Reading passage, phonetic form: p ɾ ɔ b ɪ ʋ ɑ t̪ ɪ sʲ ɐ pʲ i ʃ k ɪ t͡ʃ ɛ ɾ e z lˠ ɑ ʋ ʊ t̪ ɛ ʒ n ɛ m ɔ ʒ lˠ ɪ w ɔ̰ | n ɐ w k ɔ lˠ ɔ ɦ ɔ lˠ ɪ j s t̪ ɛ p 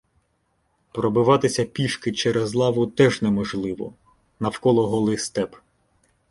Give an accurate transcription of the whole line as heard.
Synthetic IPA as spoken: p ɾ ɔ b ɪ ʋ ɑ t̪ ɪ sʲ ɐ pʲ i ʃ k ɪ t͡ʃ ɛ ɾ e z lˠ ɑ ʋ ʊ t̪ ɛ ʒ n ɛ m ɔ ʒ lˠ ɪ ʋ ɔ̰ | n ɐ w k ɔ lˠ ɔ ɦ ɔ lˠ ɪ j s t̪ ɛ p